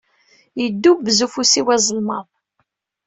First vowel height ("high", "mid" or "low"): mid